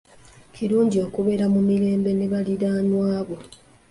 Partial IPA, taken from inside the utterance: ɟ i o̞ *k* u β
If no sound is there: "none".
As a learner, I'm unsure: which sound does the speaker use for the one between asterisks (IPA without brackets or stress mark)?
k